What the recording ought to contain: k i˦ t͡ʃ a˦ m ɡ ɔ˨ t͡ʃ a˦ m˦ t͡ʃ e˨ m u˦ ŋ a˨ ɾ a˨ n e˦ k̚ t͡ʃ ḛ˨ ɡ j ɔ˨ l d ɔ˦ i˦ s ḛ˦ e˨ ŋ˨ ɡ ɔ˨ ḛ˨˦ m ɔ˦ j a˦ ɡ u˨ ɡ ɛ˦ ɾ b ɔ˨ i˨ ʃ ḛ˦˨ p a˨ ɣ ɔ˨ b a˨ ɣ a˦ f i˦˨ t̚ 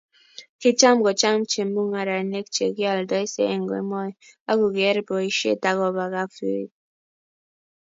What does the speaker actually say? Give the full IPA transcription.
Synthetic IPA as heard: k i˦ t͡ʃ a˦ m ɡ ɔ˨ t͡ʃ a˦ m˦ t͡ʃ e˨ m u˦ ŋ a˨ ɾ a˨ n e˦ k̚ t͡ʃ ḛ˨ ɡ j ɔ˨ l d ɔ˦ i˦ s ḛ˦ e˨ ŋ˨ ɡ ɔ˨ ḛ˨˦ m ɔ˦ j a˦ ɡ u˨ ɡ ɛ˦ ɾ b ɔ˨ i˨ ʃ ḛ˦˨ t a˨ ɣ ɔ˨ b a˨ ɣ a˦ f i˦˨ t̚